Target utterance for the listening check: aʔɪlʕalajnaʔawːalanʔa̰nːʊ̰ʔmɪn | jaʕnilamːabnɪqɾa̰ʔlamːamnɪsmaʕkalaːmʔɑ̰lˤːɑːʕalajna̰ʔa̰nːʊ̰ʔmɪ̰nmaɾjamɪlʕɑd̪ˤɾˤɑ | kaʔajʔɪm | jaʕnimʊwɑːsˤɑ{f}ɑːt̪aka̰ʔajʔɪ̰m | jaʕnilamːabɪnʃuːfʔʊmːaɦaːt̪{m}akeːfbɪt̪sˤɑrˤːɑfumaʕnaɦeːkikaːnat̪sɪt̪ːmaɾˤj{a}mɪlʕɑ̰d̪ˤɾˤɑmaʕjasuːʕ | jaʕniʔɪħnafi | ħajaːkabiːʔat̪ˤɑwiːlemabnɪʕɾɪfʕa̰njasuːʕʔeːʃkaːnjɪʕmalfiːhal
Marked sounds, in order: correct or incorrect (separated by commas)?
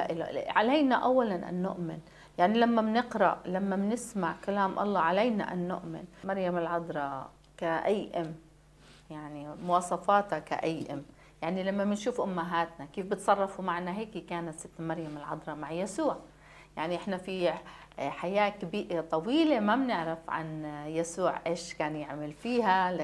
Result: correct, incorrect, correct